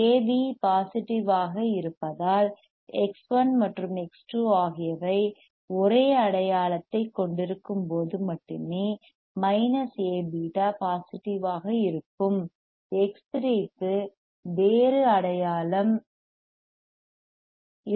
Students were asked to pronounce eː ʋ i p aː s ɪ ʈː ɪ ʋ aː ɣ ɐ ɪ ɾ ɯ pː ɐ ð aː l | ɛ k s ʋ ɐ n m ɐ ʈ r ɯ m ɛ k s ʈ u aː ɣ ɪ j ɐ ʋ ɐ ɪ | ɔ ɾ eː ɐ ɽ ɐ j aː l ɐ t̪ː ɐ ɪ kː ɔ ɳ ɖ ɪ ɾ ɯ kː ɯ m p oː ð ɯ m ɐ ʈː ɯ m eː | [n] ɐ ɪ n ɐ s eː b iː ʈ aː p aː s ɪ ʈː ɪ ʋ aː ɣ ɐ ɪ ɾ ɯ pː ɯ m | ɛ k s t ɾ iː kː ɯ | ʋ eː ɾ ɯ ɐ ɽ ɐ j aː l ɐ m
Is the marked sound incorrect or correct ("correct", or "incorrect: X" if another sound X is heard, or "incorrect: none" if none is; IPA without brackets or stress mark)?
incorrect: m